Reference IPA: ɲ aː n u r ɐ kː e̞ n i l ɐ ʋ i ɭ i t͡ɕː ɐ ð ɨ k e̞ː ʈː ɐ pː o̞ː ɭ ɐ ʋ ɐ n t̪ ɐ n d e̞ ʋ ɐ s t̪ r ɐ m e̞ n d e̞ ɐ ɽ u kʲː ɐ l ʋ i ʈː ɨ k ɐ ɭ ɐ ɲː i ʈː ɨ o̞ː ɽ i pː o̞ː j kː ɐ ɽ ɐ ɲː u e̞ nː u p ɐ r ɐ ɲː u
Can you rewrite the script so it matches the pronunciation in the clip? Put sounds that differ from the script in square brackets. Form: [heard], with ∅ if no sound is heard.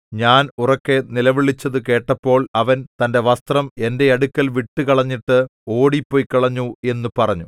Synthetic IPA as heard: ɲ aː n u r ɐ kː e̞ n i l ɐ ʋ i ɭ i t͡ɕː ɐ ð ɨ k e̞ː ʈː ɐ pː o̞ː ɭ ɐ ʋ ɐ n t̪ ɐ n d e̞ ʋ ɐ s t̪ r ɐ m e̞ n d e̞ ɐ ɽ u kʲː ɐ l ʋ i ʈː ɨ k ɐ ɭ ɐ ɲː i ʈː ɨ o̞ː ɽ i pː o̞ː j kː ɐ [ɭ] ɐ ɲː u e̞ nː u p ɐ r ɐ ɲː u